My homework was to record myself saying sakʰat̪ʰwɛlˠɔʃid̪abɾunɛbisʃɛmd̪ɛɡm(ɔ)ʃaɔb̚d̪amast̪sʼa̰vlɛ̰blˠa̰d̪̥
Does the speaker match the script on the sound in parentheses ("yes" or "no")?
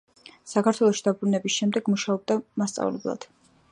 no